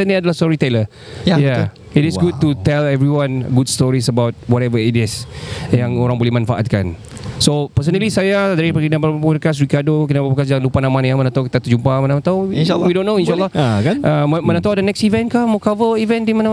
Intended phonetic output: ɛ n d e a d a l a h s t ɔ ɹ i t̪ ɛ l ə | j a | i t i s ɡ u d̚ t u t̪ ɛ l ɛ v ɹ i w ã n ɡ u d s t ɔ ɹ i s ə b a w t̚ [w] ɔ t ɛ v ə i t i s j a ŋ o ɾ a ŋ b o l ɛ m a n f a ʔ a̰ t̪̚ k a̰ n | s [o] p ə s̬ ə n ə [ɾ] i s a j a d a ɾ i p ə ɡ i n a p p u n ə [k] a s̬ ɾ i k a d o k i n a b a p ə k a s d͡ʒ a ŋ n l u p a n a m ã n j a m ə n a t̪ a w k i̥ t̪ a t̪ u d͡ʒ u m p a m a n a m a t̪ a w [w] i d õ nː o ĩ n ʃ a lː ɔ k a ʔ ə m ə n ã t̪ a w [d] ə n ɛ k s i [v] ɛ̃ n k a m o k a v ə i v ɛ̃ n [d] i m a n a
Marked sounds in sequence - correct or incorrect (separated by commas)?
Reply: correct, correct, incorrect, correct, correct, correct, correct, correct